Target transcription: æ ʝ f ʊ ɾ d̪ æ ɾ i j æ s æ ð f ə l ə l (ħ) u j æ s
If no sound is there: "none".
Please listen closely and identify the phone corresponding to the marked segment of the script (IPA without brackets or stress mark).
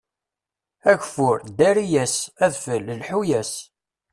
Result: ħ